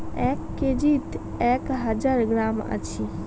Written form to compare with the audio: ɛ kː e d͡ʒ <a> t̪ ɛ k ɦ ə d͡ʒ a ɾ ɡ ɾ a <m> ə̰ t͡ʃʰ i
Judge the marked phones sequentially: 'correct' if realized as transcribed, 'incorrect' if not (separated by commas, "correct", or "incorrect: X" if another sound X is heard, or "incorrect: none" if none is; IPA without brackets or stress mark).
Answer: incorrect: i, correct